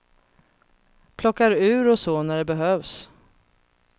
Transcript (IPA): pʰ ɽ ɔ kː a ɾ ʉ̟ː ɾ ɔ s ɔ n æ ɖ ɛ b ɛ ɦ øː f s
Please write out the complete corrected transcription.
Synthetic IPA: pʰ l ɔ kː a ɾ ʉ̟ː ɾ ɔ s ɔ n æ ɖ ɛ b ɛ ɦ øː v s